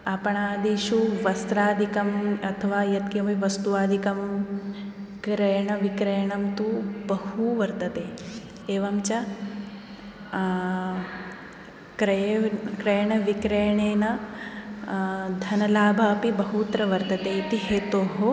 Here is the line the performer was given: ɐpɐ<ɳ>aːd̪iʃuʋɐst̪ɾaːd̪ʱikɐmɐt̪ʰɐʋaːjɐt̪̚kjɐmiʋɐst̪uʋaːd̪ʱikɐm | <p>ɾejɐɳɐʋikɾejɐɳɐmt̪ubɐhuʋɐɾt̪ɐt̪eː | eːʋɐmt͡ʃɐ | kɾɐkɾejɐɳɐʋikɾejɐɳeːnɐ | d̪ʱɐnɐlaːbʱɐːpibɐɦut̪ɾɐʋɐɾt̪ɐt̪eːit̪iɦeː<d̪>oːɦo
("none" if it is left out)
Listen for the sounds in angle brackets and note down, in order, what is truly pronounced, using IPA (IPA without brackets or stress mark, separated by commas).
ɳ, k, t̪